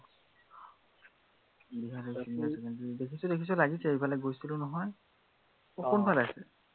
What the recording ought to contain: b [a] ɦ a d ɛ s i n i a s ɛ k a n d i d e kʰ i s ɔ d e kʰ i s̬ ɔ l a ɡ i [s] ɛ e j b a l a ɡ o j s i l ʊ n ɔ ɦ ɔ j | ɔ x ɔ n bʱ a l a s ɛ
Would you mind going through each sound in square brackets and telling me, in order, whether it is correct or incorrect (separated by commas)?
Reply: incorrect, correct